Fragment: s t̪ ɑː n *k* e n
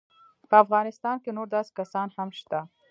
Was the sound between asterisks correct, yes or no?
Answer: yes